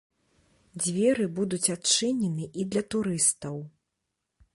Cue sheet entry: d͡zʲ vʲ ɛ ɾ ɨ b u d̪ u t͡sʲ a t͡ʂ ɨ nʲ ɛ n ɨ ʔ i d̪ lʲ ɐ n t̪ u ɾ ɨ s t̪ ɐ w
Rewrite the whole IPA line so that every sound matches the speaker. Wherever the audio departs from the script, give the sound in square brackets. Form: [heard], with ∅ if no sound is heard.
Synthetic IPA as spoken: d͡zʲ vʲ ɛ ɾ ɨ b u d̪ u t͡sʲ a t͡ʂ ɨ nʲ ɛ n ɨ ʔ i d̪ lʲ ɐ [∅] t̪ u ɾ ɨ s t̪ ɐ w